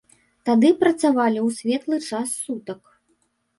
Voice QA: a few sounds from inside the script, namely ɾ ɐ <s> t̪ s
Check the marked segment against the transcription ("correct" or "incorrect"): incorrect